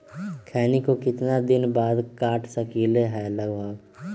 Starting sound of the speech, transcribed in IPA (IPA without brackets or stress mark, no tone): kʰ